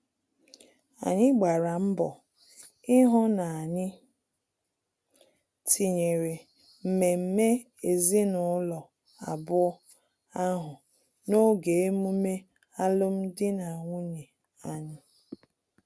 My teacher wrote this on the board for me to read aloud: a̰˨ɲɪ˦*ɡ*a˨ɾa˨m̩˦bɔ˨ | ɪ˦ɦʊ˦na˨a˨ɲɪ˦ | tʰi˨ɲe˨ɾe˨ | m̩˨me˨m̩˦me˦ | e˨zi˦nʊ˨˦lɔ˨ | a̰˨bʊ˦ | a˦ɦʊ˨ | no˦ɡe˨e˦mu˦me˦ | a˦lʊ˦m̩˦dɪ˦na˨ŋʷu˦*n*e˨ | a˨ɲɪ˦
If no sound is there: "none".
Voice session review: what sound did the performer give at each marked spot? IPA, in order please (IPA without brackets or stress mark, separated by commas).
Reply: ɡ͡b, ɲ